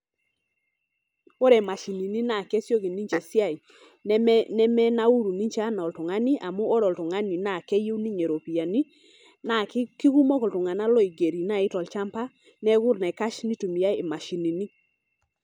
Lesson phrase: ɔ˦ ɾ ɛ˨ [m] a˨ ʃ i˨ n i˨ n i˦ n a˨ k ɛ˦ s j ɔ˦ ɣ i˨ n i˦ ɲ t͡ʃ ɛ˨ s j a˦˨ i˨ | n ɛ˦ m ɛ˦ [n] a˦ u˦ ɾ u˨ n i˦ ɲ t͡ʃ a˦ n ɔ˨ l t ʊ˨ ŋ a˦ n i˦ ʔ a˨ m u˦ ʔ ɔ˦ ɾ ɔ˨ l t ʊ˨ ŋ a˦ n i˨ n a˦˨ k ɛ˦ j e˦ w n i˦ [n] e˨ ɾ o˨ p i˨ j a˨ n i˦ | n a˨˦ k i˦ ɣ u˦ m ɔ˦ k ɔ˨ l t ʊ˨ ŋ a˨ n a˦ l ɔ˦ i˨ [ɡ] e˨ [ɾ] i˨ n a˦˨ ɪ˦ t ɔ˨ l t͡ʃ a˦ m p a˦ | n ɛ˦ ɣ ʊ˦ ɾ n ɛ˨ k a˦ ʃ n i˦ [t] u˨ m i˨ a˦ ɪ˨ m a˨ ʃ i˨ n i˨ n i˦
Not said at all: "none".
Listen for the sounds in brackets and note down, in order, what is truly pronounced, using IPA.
m, n, ɲ, ɡ, ɾ, t

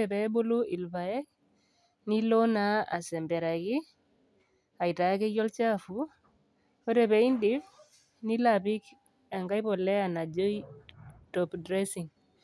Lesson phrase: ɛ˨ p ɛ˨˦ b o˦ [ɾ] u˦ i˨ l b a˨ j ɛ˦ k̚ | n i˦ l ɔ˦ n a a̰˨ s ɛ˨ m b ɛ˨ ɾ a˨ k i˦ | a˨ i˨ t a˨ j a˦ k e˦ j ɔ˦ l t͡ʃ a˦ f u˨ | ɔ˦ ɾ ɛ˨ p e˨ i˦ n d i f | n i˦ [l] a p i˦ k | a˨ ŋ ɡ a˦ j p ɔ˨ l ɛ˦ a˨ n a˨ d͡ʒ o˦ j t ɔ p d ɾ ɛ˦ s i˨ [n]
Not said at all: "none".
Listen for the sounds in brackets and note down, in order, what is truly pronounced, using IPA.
l, l, ŋ

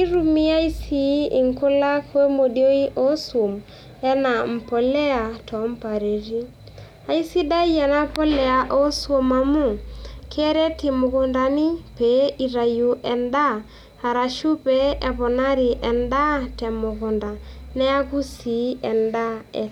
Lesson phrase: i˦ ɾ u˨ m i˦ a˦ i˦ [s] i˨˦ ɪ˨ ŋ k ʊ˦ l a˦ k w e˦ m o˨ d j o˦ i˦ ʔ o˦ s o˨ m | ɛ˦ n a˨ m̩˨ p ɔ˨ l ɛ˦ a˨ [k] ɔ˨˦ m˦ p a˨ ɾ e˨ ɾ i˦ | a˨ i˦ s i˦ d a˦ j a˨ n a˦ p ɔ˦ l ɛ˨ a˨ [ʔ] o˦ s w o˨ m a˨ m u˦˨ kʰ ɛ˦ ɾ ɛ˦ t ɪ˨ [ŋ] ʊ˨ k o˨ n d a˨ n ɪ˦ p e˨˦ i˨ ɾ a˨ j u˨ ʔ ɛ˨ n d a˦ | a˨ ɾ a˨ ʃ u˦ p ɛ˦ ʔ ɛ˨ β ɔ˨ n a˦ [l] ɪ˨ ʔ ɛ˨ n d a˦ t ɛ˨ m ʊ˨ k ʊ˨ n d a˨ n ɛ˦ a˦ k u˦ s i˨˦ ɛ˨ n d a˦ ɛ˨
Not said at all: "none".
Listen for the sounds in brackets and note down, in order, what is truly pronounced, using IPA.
s, t, ʔ, m, ɾ

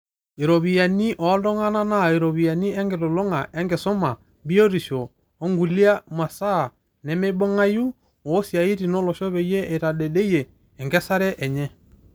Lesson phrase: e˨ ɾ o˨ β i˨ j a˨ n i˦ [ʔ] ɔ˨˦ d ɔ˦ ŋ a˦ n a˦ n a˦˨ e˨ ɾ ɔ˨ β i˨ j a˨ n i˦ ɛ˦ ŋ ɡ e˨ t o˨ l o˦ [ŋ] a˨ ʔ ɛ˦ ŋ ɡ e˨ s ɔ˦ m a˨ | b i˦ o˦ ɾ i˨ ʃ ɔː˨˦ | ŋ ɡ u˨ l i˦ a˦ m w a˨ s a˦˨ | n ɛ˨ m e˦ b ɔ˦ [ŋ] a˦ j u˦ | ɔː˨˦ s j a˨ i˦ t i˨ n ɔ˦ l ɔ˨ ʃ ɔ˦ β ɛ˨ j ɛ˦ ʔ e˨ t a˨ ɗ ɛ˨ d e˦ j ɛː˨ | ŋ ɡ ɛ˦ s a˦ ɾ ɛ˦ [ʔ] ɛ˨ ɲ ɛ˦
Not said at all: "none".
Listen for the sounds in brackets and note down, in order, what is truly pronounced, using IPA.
ʔ, ŋ, ŋ, ʔ

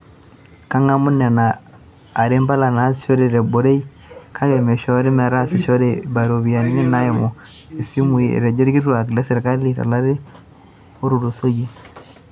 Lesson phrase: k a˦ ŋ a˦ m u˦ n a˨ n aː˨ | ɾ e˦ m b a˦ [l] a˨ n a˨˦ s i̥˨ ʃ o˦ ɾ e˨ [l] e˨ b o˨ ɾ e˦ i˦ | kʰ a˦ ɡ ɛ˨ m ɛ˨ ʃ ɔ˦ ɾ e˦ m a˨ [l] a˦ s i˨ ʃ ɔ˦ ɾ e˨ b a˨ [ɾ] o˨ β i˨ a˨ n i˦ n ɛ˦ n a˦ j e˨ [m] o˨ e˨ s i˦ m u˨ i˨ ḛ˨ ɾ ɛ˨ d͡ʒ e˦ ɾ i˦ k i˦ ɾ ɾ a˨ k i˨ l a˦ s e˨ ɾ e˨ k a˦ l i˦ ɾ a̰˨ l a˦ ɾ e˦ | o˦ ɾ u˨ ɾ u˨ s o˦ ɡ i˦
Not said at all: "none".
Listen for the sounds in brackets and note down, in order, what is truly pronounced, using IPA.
l, ɾ, ɾ, ɾ, m

